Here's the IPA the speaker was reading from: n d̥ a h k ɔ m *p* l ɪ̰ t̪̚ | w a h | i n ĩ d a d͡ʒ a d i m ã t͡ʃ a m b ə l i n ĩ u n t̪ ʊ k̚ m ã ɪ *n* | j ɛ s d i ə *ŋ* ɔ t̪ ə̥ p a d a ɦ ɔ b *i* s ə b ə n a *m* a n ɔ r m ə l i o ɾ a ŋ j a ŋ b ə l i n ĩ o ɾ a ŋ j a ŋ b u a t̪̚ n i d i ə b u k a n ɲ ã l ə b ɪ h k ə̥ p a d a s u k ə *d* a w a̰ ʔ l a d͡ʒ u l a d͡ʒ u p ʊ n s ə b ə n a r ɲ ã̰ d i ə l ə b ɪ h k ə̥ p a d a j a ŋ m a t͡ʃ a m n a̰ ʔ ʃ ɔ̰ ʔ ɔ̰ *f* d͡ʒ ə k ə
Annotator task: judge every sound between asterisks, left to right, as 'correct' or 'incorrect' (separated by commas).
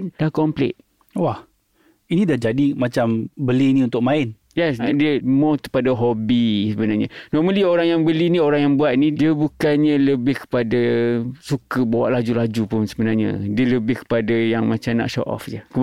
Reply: correct, correct, incorrect, correct, incorrect, incorrect, correct